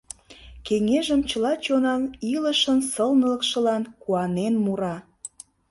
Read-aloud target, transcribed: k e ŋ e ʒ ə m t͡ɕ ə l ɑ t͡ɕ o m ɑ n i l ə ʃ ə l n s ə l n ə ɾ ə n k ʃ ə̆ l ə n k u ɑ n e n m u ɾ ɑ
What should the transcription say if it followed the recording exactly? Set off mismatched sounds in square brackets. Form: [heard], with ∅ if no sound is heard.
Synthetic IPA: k e ŋ e ʒ ə m t͡ɕ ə l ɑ t͡ɕ o [n] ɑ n i l ə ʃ ə [∅] n s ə l n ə [l] ə [∅] k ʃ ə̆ l [ɑ] n k u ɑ n e n m u ɾ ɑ